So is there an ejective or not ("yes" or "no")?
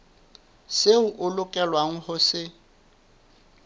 yes